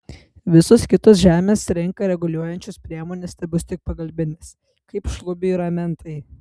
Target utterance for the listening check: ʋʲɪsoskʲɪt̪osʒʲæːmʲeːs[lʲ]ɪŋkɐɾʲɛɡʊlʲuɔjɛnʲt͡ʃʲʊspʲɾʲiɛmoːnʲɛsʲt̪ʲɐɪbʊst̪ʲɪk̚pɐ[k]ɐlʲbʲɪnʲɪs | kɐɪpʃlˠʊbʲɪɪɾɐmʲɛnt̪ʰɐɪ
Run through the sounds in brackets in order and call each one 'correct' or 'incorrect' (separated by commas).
incorrect, incorrect